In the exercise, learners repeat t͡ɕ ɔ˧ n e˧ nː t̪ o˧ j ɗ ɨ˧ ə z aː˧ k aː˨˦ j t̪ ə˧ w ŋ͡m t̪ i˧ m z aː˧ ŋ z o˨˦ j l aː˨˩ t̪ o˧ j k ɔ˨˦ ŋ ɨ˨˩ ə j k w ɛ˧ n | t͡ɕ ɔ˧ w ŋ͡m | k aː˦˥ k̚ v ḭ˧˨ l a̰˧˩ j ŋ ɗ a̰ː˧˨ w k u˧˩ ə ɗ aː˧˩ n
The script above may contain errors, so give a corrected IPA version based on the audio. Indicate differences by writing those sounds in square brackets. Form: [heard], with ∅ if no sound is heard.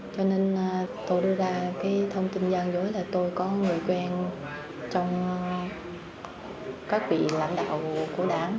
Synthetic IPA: t͡ɕ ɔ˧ n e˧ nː t̪ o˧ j ɗ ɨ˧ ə z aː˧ k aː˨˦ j [t̪ʰ] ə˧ w ŋ͡m t̪ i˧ [n] z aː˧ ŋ z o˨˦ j l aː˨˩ t̪ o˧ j k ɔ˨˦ ŋ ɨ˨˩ ə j k w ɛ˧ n | t͡ɕ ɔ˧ w ŋ͡m | k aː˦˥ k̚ v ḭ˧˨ l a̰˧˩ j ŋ ɗ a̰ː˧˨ w k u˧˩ ə ɗ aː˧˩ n